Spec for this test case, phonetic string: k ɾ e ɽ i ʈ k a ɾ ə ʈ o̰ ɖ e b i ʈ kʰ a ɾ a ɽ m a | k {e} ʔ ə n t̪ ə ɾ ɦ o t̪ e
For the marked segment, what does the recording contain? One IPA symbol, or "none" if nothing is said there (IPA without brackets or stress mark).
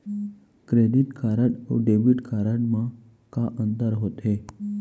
a